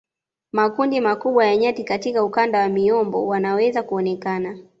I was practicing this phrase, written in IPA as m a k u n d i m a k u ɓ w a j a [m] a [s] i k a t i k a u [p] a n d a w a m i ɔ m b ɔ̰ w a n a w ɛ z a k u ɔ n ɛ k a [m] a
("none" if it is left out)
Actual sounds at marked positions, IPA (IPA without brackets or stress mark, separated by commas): ɲ, t, k, n